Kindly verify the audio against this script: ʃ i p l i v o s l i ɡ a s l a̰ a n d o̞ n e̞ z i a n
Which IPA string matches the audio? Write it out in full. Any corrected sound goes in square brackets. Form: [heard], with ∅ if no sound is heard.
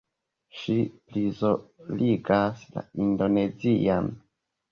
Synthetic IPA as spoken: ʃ i p l i [z] o [∅] l i ɡ a s l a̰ [i] n d o̞ n e̞ z i a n